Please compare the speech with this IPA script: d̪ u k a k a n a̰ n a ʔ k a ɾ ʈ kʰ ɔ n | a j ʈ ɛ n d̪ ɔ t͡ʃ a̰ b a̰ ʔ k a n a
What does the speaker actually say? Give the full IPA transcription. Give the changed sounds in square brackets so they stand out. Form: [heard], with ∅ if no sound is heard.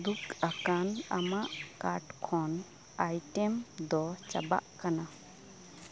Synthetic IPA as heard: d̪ u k a k a n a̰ [m] a ʔ k a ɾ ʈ kʰ ɔ n | a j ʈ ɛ [m] d̪ ɔ t͡ʃ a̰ b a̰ ʔ k a n a

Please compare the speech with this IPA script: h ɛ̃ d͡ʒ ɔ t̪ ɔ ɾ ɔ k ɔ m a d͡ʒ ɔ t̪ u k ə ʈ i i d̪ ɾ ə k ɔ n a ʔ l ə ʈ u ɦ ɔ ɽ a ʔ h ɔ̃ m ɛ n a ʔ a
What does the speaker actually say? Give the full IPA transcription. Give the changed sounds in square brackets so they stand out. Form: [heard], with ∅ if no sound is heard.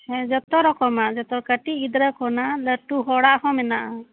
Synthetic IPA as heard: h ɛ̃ d͡ʒ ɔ t̪ ɔ ɾ ɔ k ɔ m a d͡ʒ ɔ t̪ [ɔ] k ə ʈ i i d̪ ɾ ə k ɔ n a [∅] l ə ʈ u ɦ ɔ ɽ a ʔ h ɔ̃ m ɛ n a ʔ a

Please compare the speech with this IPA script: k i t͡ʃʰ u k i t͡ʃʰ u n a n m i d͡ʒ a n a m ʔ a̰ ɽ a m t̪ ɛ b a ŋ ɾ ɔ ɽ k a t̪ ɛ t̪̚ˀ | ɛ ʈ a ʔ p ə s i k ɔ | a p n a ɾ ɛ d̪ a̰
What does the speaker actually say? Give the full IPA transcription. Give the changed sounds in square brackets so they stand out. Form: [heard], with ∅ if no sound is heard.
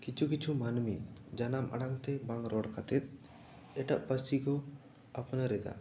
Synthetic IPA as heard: k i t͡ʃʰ u k i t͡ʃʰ u [m] a n m i d͡ʒ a n a m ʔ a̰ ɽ a [ŋ] t̪ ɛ b a ŋ ɾ ɔ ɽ k a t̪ ɛ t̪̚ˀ | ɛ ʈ a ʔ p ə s i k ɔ | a p n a ɾ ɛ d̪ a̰

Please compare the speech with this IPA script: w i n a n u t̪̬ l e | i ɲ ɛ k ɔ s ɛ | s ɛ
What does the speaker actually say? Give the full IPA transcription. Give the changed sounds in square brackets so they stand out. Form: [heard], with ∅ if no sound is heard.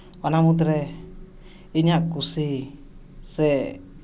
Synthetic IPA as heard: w [a] n a [m] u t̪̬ [ɾ] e | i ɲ [a] k [u] s [i] | s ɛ

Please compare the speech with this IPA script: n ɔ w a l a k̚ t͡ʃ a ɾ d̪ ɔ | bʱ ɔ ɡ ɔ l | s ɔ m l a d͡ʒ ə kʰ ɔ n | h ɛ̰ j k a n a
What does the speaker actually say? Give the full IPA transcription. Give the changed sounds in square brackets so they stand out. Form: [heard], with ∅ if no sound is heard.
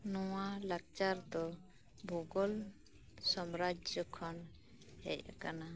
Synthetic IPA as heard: n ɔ w a l a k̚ t͡ʃ a ɾ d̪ ɔ | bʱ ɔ ɡ ɔ l | s ɔ m [ɾ] a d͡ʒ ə kʰ ɔ n | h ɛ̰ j k a n a

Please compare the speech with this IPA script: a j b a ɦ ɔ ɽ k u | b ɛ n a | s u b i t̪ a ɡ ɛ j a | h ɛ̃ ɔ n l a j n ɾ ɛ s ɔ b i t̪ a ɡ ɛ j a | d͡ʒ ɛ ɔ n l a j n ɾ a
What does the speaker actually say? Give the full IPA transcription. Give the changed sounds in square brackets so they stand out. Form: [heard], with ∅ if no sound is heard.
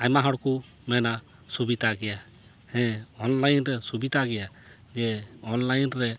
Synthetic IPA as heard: a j [m] a ɦ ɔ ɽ k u | [m] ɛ n a | s u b i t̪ a ɡ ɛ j a | h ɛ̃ ɔ n l a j n ɾ ɛ s [u] b i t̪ a ɡ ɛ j a | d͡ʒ ɛ ɔ n l a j n ɾ [ɛ]

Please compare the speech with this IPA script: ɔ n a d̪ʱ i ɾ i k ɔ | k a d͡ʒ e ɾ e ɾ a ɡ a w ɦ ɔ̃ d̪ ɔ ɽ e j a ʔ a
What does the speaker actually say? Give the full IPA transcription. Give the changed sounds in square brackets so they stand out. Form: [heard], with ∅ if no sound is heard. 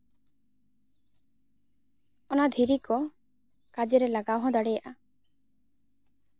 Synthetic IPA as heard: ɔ n a d̪ʱ i ɾ i k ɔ | k a d͡ʒ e ɾ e [l] a ɡ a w ɦ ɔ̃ d̪ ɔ ɽ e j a ʔ a

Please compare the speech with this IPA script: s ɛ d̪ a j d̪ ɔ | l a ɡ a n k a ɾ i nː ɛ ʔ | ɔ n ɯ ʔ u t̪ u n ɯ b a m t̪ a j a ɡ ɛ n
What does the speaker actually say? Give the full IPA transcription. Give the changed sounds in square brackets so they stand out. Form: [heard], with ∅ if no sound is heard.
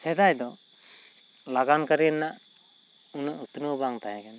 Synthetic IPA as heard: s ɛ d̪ a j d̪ ɔ | l a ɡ a n k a ɾ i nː [a] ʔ | [u] n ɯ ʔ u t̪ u n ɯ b a [ŋ] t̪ a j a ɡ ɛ n

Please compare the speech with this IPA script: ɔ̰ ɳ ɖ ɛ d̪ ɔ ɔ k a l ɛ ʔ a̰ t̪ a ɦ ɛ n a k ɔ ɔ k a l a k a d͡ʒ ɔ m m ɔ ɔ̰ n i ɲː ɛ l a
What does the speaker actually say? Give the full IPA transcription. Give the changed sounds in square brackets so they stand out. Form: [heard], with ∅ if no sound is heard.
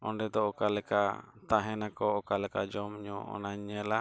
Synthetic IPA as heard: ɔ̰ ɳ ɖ ɛ d̪ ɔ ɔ k a l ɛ [k] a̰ t̪ a ɦ ɛ n a k ɔ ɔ k a l [ɛ] k a d͡ʒ ɔ m [ɲ] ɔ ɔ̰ n [a] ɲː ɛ l a

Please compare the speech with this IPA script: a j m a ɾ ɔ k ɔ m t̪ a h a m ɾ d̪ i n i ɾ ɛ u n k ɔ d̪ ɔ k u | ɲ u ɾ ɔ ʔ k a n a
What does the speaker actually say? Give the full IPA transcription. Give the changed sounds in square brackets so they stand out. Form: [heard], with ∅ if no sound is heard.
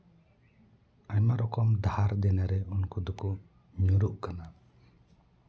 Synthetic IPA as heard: a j m a ɾ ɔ k ɔ m [d̪] a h a [∅] ɾ d̪ [ɛ] n [a] ɾ ɛ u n k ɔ d̪ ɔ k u | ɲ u ɾ [u] ʔ k a n a

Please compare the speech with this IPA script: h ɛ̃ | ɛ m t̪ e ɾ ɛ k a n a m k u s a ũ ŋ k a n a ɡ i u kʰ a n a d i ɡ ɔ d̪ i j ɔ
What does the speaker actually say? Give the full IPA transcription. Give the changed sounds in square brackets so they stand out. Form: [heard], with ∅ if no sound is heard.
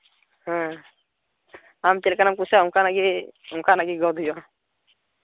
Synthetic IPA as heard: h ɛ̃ | [a] m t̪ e [l] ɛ k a n a m k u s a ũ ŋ k a n a ɡ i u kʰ a n a [ɡ] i ɡ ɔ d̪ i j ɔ

